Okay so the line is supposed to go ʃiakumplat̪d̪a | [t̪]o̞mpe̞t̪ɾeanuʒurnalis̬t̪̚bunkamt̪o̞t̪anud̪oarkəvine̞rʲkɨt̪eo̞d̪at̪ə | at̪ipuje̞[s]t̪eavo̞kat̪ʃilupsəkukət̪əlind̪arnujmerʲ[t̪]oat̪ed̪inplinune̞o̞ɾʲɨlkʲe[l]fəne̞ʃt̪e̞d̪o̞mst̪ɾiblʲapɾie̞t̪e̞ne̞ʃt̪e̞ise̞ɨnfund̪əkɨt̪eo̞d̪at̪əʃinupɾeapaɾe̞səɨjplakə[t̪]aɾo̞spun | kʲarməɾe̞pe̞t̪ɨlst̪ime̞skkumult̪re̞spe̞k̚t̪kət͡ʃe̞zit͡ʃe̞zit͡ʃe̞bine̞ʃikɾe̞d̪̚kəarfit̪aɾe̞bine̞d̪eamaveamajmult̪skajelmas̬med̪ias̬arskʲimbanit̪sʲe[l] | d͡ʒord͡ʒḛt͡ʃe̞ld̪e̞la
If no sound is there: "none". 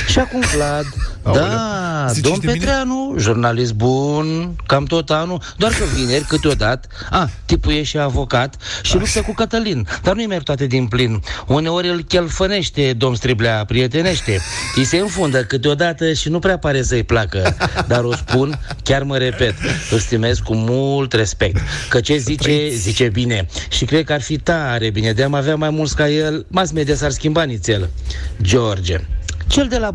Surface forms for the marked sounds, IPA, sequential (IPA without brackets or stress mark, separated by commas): d̪, ʃ, t̪, l, d̪, l